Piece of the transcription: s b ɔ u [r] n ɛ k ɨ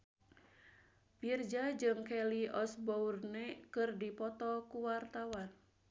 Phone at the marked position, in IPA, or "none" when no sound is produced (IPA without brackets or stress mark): r